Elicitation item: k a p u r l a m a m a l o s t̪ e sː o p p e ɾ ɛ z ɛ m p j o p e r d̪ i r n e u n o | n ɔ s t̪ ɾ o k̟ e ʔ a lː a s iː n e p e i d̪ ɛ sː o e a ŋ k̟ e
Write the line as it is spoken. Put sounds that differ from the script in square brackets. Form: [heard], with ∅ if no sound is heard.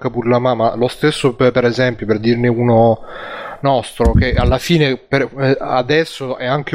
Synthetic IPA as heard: k a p u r l a m a m a l o s t̪ e sː o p p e ɾ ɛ z ɛ m p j o p e r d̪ i r n e u n o | n ɔ s t̪ ɾ o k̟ e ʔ a lː a [f] iː n e p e [a] d̪ ɛ sː o [ɛ] a ŋ k̟ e